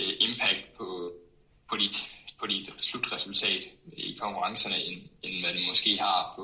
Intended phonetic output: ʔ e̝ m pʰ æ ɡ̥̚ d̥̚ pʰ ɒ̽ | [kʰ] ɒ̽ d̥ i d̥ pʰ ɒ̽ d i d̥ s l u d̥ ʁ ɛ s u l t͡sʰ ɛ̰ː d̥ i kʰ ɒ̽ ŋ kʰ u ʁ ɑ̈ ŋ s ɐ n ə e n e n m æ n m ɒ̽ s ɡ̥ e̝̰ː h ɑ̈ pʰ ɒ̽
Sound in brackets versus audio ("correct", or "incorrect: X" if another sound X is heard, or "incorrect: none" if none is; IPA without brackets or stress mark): incorrect: pʰ